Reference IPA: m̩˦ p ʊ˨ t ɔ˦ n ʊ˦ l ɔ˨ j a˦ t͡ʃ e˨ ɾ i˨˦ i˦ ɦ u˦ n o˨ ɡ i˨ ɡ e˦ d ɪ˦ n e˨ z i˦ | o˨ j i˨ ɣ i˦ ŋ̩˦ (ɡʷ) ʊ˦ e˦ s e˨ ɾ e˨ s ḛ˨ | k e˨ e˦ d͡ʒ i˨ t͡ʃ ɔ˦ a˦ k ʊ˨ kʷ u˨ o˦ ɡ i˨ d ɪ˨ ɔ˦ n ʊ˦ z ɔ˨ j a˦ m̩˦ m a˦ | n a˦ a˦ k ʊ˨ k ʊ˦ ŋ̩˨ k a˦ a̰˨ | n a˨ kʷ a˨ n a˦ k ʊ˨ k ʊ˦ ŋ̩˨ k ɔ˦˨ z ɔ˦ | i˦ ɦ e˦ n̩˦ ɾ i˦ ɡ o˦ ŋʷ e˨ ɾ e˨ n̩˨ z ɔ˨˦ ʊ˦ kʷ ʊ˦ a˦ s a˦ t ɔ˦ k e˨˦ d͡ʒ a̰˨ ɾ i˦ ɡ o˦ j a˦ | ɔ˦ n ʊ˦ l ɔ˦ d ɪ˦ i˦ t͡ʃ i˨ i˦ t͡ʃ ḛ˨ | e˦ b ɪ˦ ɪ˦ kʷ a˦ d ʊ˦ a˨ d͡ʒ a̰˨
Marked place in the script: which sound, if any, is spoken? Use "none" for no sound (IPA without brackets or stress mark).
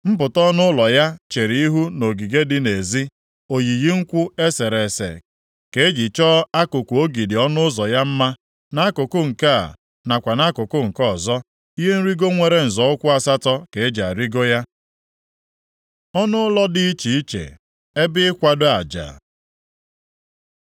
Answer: kʷ